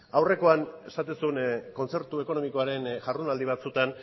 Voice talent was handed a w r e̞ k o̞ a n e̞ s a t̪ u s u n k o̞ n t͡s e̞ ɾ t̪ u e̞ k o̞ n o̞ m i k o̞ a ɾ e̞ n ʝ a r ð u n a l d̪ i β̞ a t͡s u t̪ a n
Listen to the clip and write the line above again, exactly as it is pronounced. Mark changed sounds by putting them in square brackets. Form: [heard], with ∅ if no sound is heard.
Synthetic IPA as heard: a w r e̞ k o̞ a n e̞ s a t̪ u s u n k o̞ n t͡s e̞ ɾ t̪ u e̞ k o̞ n o̞ m i k o̞ a ɾ e̞ n ʝ a r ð u n a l d̪ i β̞ a t͡s u t̪ a n